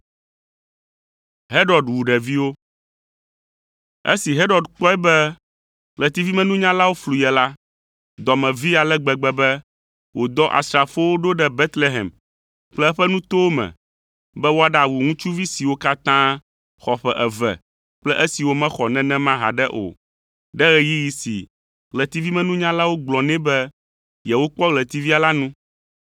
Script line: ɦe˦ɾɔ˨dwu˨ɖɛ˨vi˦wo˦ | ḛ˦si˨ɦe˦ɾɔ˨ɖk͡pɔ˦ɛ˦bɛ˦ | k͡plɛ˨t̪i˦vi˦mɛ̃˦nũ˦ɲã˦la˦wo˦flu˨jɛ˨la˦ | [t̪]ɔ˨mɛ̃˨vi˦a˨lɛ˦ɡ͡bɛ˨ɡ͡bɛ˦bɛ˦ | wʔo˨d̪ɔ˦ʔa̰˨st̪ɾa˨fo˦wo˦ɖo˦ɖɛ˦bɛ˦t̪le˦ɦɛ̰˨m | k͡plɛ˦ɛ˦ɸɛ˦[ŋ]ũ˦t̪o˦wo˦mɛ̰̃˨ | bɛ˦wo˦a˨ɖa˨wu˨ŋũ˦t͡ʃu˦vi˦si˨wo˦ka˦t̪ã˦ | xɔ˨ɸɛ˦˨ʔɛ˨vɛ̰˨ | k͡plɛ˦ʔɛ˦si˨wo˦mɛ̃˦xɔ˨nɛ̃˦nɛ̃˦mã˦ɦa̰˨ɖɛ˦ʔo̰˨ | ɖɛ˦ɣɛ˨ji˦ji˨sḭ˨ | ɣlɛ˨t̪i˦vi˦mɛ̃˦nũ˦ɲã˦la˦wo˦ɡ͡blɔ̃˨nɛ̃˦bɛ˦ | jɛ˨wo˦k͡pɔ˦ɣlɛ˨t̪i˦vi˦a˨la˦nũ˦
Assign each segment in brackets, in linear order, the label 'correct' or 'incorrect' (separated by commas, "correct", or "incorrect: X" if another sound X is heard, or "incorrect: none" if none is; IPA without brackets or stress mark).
incorrect: d̪, incorrect: n